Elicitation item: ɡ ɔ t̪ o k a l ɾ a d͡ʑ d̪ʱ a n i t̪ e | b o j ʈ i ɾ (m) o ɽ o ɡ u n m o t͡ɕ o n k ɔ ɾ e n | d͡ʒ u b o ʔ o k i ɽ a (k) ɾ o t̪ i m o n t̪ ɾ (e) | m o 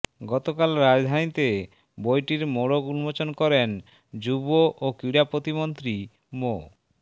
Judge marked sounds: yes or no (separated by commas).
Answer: yes, no, no